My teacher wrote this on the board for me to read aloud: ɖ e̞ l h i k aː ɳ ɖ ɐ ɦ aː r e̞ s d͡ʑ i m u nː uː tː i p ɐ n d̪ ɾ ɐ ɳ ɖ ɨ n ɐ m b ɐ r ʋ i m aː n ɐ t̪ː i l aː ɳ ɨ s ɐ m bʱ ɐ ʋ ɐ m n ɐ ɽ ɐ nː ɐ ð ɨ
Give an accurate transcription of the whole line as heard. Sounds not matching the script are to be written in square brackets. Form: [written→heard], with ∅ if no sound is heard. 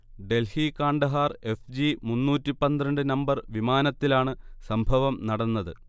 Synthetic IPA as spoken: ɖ e̞ l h i k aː ɳ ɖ ɐ ɦ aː r e̞ [s→f] d͡ʑ i m u nː uː tː i p ɐ n d̪ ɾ ɐ ɳ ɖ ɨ n ɐ m b ɐ r ʋ i m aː n ɐ t̪ː i l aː ɳ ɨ s ɐ m bʱ ɐ ʋ ɐ m n ɐ ɽ ɐ nː ɐ ð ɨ